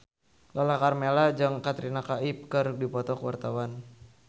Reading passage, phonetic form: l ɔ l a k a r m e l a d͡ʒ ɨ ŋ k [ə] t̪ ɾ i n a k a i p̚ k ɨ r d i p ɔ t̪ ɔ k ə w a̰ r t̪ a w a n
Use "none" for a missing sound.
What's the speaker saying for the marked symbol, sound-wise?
a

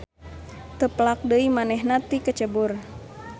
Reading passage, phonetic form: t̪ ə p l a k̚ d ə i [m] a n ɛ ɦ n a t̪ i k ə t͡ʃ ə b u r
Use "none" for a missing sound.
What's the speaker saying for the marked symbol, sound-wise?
m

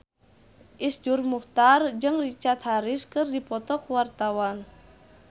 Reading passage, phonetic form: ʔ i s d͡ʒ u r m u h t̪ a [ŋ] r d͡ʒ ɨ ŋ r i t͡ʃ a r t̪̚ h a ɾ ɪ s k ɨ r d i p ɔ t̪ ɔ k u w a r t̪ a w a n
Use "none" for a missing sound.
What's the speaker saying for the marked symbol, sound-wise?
none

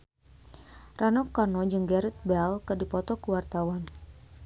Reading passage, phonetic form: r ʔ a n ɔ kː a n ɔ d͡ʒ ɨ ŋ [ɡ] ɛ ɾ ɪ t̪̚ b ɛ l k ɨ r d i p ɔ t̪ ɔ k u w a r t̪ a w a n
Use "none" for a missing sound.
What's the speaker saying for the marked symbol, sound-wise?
ɡ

